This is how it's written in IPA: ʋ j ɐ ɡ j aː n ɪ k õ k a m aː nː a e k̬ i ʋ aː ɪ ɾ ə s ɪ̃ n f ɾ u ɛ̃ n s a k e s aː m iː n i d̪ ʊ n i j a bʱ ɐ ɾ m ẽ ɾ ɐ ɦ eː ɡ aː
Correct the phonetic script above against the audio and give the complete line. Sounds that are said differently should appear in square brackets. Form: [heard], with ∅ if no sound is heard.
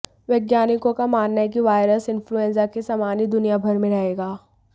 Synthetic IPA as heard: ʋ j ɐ ɡ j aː n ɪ k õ k a m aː nː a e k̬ i ʋ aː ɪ ɾ ə s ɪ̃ n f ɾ u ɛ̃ n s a k e s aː m [aː] n i d̪ ʊ n i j a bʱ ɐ ɾ m ẽ ɾ ɐ ɦ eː ɡ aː